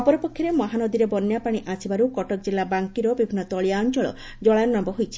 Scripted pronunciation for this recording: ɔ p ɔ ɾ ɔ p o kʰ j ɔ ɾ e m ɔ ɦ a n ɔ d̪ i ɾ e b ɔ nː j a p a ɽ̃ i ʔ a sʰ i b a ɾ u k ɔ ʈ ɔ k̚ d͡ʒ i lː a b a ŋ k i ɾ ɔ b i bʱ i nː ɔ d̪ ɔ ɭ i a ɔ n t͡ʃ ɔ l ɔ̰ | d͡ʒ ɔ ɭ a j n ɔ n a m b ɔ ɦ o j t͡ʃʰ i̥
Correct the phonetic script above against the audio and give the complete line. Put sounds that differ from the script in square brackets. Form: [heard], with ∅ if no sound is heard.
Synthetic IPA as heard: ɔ p ɔ ɾ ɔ p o kʰ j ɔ ɾ e m ɔ ɦ a n ɔ d̪ i ɾ e b ɔ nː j a p a ɽ̃ i ʔ a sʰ i b a ɾ u k ɔ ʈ ɔ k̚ d͡ʒ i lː a b a ŋ k i ɾ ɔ b i bʱ i nː ɔ [t̪] ɔ ɭ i a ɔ n t͡ʃ ɔ [ɭ] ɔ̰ | d͡ʒ ɔ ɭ a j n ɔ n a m b ɔ ɦ o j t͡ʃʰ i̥

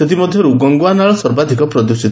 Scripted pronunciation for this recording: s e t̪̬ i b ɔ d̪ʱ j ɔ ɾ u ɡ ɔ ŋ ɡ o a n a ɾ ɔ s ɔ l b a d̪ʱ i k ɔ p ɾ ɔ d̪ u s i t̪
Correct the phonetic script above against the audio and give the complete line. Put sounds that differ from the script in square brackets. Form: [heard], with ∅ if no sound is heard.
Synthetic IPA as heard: s e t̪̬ i [m] ɔ d̪ʱ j ɔ ɾ u ɡ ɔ ŋ ɡ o a n a [ɭ] ɔ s ɔ [ɾ] b a d̪ʱ i k ɔ p ɾ ɔ d̪ u s i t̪

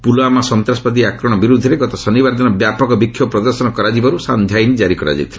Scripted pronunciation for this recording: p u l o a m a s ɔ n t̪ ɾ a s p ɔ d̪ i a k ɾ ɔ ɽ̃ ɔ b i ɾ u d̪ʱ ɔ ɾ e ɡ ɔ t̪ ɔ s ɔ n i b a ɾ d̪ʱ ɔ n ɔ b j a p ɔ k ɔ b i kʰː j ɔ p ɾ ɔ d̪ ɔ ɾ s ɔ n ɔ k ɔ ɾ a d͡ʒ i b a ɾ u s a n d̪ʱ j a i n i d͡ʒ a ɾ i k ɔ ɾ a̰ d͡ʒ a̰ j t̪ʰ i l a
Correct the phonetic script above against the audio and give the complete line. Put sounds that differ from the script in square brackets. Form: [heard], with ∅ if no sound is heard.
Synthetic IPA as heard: p u l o a m a s ɔ n t̪ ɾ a s p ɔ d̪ i a k ɾ ɔ ɽ̃ ɔ b i ɾ u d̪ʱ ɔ ɾ e ɡ ɔ t̪ ɔ s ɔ n i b a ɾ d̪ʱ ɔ n ɔ b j a p ɔ k ɔ b i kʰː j ɔ p ɾ ɔ d̪ ɔ ɾ s ɔ n ɔ k ɔ ɾ a d͡ʒ i b a ɾ u s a n d̪ʱ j a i n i d͡ʒ a ɾ i k ɔ ɾ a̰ d͡ʒ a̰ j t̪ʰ i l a

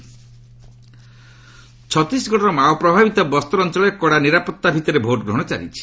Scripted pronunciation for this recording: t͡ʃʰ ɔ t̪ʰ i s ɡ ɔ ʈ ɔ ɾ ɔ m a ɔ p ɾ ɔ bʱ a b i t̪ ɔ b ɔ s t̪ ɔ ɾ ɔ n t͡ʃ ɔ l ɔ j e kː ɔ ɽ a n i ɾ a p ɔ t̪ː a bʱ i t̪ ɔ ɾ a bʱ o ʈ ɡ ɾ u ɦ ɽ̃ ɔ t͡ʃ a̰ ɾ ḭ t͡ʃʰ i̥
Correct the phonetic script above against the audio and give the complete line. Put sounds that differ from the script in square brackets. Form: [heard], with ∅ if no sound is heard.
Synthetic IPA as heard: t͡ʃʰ ɔ [t̪] i s ɡ ɔ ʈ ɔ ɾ ɔ m a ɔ p ɾ ɔ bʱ a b i t̪ ɔ b ɔ s t̪ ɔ ɾ ɔ n t͡ʃ ɔ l ɔ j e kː ɔ ɽ a n i ɾ a p ɔ t̪ː a bʱ i t̪ ɔ ɾ [e] bʱ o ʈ ɡ ɾ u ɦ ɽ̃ ɔ t͡ʃ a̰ ɾ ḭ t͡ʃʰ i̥

